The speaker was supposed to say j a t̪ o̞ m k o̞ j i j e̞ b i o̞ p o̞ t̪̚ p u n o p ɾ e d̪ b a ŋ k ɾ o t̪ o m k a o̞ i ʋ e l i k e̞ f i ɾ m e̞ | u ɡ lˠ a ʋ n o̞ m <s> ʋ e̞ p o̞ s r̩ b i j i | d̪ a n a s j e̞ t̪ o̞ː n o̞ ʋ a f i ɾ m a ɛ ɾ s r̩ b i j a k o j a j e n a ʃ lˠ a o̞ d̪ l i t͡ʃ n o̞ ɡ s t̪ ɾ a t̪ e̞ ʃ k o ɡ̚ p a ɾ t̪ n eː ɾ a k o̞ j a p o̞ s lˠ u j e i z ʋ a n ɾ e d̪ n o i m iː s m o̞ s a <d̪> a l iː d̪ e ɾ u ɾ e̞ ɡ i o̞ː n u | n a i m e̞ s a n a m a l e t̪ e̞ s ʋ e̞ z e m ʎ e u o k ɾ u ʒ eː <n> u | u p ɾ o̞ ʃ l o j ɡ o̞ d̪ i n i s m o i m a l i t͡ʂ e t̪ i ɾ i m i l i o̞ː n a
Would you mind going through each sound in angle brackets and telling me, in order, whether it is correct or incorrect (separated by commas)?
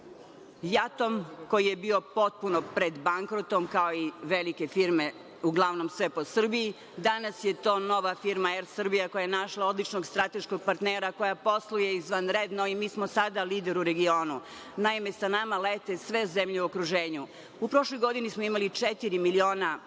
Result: correct, correct, incorrect